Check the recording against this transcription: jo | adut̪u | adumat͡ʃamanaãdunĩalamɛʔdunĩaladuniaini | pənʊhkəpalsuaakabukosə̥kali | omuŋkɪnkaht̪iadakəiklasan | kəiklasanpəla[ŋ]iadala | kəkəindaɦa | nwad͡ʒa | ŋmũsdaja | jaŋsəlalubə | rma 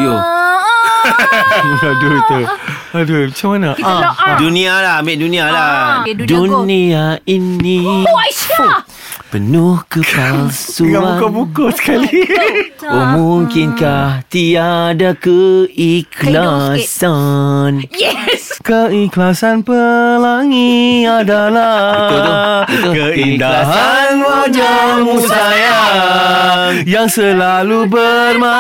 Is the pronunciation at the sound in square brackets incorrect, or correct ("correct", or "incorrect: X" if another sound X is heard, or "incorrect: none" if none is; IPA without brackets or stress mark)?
correct